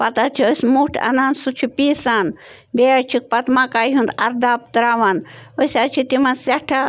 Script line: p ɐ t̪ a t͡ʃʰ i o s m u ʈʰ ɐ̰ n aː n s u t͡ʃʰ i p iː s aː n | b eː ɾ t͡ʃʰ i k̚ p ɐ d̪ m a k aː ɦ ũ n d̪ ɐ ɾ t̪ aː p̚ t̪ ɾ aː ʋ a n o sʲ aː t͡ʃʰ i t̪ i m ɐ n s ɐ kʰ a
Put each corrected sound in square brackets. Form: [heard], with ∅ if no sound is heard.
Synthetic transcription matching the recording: p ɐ t̪ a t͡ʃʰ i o s m u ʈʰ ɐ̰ n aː n s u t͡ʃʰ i p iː s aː n | b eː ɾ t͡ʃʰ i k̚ p ɐ [t̪] m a k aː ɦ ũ n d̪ ɐ ɾ [d̪] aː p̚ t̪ ɾ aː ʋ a n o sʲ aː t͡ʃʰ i t̪ i m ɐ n s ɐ [ʈʰ] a